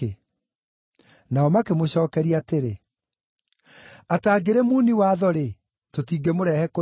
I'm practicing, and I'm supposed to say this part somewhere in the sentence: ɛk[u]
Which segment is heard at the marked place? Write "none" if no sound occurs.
o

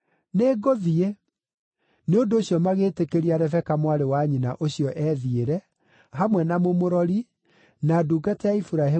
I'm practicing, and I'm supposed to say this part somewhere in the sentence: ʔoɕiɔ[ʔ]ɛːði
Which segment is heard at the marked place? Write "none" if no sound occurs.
ʔ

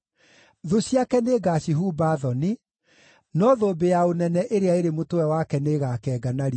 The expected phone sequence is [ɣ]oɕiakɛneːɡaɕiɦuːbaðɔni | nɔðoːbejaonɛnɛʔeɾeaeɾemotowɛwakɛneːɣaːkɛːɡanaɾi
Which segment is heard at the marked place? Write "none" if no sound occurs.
ð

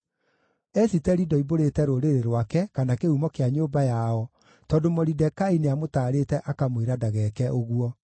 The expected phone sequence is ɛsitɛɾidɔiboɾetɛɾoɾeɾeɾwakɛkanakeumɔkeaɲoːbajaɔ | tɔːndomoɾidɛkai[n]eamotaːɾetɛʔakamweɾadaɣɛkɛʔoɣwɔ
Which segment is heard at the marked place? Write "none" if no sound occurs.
n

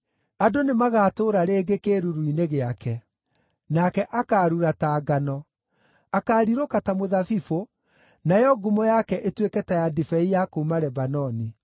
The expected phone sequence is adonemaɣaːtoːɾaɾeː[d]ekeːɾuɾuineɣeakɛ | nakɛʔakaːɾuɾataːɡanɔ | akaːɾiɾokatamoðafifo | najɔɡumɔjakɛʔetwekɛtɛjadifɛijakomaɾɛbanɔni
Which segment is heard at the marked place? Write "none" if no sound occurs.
ɡ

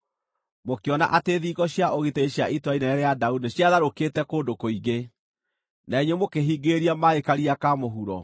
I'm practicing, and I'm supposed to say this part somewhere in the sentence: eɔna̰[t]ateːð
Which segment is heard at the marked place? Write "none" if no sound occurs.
ʔ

